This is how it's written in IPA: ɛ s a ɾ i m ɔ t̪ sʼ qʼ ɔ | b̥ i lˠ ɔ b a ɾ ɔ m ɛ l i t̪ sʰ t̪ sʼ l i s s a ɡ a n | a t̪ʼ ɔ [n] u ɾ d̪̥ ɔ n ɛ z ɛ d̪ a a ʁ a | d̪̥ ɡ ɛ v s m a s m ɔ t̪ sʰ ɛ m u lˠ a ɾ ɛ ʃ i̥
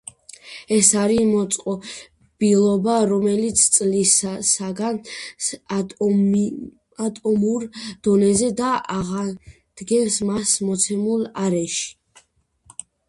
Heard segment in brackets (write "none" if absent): m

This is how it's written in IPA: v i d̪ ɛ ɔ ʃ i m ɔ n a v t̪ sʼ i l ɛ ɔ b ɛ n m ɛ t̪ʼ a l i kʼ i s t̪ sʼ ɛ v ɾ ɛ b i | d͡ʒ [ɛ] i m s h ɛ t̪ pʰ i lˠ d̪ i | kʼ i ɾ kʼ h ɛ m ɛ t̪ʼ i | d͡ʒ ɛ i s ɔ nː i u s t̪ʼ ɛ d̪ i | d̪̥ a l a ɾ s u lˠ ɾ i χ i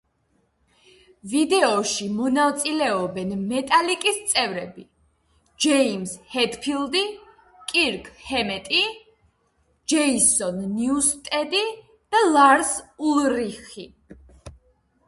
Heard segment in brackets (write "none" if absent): ɛ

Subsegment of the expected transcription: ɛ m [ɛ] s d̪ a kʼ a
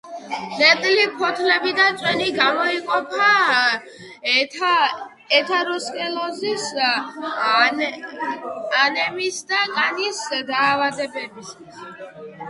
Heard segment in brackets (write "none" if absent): i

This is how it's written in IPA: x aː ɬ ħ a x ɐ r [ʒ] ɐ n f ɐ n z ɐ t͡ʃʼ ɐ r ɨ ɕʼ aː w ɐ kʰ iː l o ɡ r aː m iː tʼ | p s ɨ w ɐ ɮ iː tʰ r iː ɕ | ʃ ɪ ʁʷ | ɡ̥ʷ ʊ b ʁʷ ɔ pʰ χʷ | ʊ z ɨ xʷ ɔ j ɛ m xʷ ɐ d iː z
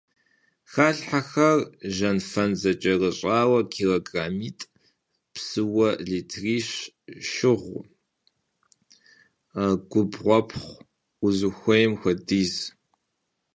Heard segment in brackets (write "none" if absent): ʒ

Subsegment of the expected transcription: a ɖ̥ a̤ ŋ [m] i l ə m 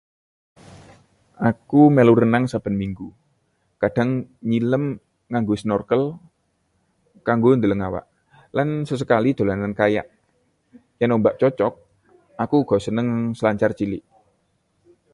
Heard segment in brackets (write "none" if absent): ɲ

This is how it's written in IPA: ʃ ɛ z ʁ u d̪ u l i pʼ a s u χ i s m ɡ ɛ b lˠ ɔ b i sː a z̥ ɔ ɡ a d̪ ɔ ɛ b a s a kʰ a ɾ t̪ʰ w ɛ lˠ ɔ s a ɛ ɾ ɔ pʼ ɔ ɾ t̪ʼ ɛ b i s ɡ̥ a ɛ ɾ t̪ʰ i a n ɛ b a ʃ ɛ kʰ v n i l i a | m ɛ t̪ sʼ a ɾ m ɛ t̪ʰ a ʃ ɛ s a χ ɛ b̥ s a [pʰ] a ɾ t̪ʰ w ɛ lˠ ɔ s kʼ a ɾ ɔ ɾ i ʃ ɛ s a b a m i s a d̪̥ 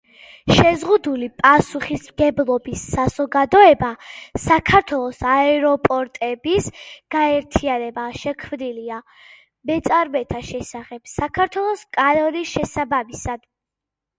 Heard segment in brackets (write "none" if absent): kʰ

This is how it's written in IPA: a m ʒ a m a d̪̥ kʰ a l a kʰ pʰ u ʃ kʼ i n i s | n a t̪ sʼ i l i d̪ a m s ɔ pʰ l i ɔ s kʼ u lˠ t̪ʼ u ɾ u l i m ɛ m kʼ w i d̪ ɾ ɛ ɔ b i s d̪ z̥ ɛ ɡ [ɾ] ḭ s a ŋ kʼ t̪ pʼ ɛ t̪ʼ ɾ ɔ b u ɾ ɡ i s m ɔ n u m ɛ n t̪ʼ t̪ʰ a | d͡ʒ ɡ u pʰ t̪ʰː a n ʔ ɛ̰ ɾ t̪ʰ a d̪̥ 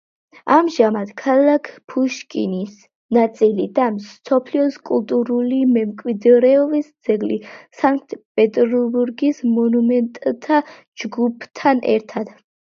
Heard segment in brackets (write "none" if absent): l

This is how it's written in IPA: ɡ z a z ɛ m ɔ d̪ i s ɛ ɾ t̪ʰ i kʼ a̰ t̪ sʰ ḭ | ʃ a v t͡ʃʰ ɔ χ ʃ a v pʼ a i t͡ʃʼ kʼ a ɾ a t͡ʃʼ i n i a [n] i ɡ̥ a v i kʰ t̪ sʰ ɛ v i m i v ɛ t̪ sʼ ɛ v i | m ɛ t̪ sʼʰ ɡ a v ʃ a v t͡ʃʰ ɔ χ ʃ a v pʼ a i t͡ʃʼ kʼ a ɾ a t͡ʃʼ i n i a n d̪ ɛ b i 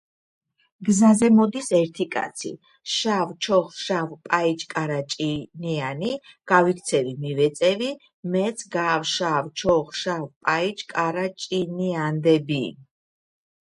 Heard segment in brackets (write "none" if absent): n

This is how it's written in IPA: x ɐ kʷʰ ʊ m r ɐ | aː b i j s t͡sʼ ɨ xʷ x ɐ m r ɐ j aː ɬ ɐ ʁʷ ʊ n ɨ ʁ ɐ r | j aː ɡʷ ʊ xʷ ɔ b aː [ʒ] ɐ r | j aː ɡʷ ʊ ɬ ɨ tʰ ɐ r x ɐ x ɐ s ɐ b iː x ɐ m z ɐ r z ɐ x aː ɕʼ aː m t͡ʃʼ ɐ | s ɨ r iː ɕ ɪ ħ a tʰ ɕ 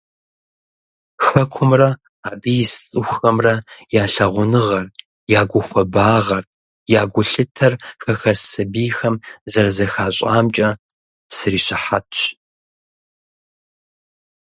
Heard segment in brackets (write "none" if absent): ʁ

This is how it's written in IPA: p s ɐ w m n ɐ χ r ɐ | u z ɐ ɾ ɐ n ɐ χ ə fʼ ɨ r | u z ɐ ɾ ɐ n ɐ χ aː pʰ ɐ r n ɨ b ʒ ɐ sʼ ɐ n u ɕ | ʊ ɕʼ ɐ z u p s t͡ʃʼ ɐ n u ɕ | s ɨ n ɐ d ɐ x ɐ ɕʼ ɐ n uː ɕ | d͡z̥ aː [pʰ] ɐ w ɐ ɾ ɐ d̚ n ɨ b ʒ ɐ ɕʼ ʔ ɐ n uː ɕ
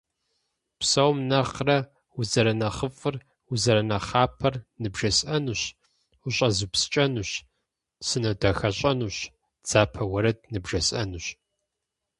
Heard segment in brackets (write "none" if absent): pʰ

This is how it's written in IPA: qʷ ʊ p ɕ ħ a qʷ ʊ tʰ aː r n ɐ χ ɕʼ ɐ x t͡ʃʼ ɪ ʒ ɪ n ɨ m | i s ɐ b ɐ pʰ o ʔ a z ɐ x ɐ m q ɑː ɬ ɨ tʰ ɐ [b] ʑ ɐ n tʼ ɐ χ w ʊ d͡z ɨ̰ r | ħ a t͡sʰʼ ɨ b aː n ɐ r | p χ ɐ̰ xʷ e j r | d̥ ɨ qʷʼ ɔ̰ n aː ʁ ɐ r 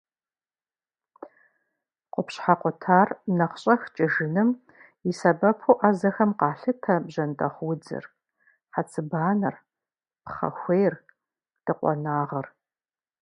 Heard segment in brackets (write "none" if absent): b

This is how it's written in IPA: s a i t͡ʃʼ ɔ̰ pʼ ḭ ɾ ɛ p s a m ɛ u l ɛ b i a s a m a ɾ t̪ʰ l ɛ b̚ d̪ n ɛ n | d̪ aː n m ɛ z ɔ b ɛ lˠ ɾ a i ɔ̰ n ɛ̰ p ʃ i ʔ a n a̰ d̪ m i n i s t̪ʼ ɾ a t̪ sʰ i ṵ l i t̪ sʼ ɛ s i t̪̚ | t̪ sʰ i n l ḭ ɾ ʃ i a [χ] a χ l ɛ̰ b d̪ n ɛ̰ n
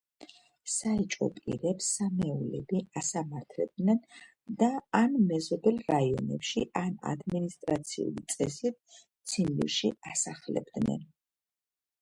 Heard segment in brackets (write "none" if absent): s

